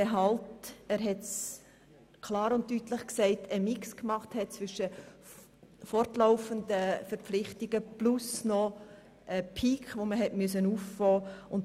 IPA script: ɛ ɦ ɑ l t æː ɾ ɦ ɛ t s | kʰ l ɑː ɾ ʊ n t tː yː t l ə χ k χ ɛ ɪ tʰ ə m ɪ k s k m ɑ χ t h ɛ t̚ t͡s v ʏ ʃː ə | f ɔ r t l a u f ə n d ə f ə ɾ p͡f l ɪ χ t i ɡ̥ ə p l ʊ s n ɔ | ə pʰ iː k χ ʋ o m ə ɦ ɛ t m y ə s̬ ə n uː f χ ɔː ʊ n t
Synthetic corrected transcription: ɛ ɦ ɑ l t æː ɾ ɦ ɛ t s | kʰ l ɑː ɾ ʊ n t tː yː t l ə χ k s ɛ ɪ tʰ ə m ɪ k s k m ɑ χ t h ɛ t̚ t͡s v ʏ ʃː ə | f ɔ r t l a ʊ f ə n d ə f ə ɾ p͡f l ɪ χ t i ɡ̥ ə p l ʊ s n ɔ | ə pʰ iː k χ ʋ o m ə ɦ ɛ t m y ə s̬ ə n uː f f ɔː ʊ n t